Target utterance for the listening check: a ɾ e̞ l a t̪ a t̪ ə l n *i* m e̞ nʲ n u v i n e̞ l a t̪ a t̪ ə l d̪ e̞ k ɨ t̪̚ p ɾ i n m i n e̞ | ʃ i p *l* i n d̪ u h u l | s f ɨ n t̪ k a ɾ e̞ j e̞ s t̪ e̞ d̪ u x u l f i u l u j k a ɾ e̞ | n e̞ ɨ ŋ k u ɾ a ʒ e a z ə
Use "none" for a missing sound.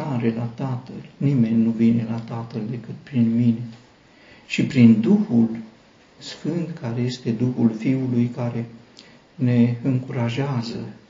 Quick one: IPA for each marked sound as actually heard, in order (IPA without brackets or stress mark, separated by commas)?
i, ɾ